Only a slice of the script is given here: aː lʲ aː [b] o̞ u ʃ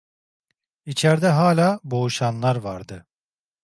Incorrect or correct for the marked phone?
correct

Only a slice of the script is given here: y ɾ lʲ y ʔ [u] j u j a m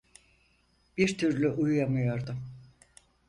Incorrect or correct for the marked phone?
correct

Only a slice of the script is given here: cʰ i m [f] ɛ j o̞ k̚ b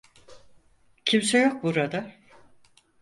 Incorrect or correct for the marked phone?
incorrect: s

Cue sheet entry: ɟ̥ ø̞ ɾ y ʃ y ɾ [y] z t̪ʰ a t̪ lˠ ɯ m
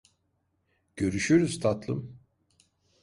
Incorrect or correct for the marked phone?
correct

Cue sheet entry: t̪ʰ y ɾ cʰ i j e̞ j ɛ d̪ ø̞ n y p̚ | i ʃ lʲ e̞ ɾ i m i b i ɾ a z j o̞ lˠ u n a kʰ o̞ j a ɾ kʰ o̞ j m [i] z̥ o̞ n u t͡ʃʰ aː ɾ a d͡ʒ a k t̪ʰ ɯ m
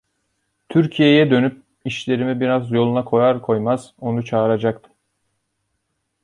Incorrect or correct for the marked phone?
incorrect: a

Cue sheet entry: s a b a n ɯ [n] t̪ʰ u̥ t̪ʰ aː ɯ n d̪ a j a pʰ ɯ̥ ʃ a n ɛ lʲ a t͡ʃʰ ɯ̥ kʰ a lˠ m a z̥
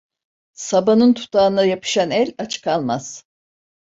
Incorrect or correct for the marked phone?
correct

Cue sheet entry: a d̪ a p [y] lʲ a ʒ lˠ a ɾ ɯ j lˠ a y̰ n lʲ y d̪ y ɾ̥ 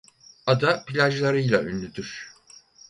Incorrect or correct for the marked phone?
incorrect: i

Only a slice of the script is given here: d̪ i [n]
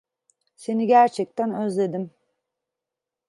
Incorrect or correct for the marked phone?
incorrect: m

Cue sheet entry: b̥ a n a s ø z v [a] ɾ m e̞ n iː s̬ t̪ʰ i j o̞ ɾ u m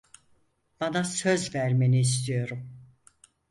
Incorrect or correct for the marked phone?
incorrect: æ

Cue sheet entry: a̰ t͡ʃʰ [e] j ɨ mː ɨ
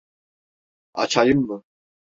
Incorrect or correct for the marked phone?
incorrect: a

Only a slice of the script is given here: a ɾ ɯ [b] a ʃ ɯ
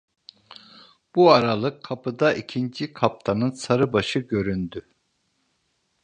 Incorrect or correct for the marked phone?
correct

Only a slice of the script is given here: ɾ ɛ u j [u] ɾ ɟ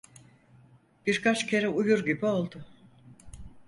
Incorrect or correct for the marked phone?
correct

